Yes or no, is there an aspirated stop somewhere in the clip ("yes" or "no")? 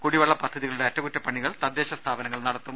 yes